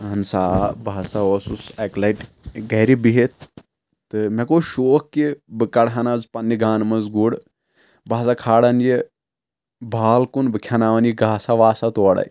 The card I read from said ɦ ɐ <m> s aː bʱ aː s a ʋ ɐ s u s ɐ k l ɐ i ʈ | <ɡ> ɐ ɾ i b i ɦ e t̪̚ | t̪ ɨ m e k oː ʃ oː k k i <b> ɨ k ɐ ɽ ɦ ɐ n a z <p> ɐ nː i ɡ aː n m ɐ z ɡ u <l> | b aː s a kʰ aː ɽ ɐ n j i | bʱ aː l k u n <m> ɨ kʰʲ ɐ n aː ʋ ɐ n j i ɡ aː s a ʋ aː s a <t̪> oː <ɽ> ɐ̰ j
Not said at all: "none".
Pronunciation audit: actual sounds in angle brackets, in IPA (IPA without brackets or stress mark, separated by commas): n, ɡ, b, p, ɽ, b, t̪, ɽ